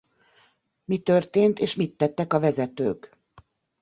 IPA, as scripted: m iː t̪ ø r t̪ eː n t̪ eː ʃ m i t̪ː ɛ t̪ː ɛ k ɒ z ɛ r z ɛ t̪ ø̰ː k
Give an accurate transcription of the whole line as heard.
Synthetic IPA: m i t̪ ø r t̪ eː n t̪ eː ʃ m i t̪ː ɛ t̪ː ɛ k ɒ v ɛ z ɛ t̪ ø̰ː k